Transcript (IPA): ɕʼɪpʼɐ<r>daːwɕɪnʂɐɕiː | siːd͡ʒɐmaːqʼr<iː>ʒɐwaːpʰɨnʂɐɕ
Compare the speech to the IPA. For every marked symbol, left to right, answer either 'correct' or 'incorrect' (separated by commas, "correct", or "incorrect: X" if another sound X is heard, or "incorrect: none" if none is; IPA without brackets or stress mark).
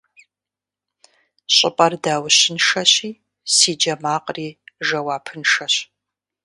correct, correct